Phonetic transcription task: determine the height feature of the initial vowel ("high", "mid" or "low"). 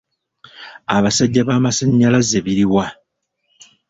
low